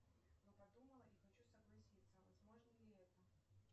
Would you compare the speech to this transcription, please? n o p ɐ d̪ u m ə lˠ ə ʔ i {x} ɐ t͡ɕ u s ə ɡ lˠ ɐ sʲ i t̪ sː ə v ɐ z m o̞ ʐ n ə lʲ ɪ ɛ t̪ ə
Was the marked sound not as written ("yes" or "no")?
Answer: no